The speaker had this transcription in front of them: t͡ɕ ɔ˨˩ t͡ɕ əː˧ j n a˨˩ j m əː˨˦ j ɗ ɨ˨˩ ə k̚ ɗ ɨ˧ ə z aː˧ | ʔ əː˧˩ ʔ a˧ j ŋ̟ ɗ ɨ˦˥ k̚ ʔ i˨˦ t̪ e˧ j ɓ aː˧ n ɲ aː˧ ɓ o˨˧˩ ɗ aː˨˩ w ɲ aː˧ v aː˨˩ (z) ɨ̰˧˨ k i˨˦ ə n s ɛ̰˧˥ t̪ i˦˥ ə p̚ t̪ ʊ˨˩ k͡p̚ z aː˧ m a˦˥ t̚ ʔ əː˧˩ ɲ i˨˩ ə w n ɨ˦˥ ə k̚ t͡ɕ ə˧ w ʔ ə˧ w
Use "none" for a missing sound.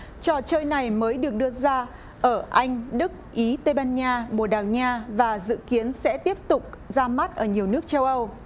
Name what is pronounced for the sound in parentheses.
z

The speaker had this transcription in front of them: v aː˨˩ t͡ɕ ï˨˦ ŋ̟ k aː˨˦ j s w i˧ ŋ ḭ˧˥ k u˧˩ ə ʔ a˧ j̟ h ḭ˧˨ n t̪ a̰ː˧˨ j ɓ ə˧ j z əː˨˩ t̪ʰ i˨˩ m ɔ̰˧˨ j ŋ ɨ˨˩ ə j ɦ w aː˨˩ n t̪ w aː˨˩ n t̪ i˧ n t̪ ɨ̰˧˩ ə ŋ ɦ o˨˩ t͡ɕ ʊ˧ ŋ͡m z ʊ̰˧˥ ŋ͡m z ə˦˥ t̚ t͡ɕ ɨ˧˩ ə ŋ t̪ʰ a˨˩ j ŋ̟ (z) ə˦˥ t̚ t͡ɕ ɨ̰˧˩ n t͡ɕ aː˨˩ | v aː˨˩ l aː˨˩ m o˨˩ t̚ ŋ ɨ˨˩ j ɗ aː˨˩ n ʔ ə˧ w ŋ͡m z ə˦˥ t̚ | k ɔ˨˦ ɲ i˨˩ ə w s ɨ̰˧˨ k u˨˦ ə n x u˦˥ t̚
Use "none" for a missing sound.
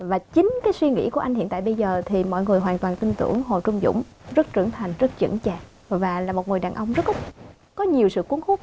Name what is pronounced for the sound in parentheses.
z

